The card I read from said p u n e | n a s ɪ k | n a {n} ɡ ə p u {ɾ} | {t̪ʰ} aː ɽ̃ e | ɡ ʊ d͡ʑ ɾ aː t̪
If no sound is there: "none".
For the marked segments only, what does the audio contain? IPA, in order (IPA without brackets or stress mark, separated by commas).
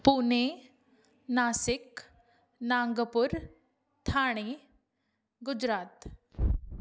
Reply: ŋ, ɾ, t̪ʰ